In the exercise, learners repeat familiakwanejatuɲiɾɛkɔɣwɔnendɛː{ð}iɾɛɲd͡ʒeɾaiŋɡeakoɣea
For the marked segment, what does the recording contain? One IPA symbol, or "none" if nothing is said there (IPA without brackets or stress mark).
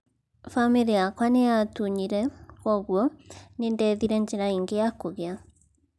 ð